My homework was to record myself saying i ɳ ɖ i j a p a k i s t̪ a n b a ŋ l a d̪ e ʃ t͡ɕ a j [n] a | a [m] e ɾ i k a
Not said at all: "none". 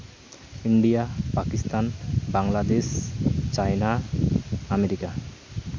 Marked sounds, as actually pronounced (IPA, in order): n, m

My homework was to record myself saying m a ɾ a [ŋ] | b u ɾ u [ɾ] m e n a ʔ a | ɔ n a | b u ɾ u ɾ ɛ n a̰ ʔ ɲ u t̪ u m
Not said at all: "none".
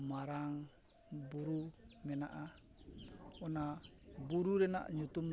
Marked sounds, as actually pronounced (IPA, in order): ŋ, none

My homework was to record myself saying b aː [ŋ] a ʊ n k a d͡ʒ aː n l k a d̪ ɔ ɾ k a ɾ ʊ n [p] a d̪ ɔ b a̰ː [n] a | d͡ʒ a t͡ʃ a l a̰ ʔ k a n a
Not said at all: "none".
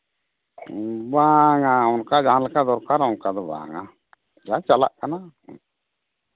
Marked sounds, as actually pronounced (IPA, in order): ŋ, k, ŋ

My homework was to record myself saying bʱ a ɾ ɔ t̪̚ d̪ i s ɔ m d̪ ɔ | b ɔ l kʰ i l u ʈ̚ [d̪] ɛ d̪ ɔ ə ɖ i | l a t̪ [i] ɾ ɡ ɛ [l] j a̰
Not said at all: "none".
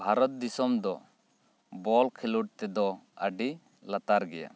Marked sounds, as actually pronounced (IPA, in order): t̪, a, none

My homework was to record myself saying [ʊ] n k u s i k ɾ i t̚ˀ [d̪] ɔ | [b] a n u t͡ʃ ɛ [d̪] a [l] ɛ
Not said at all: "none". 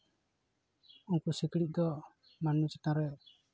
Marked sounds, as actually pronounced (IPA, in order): u, d̪, m, t̪, ɾ

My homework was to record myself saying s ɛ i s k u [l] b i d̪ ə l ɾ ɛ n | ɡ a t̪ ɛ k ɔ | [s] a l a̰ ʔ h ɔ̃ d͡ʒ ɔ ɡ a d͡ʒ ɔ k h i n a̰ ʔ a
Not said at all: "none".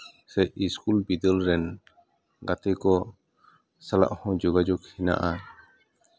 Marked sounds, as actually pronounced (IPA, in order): l, s

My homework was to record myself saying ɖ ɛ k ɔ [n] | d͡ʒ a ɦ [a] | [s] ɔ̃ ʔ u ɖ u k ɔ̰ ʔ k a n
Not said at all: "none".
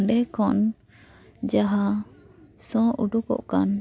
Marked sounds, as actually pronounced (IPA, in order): n, a, s

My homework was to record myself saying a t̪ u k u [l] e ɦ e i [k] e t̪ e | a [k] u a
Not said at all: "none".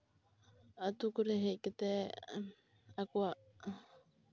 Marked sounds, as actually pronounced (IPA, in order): ɾ, k, k

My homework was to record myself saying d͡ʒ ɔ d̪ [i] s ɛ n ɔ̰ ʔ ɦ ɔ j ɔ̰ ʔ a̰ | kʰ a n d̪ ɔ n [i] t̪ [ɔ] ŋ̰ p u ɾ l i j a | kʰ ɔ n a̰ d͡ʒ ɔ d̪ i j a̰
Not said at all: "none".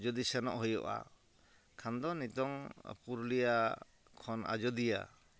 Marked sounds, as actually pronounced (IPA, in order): i, i, ɔ

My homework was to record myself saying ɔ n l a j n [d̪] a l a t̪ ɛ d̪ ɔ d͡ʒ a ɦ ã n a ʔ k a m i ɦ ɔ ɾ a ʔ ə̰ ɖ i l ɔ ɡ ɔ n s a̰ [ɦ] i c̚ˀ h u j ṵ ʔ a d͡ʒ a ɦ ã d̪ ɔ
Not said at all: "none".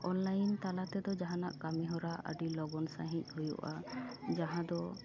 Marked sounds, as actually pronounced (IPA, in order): t̪, ɦ

